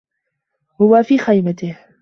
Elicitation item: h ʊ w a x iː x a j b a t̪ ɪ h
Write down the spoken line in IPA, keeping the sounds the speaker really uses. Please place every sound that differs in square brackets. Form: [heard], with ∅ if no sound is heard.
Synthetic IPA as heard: h ʊ w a [f] iː x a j [m] a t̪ ɪ h